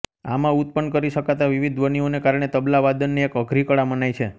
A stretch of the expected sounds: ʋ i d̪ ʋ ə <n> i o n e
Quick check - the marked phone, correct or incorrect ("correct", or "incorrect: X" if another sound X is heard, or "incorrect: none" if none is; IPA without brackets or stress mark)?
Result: correct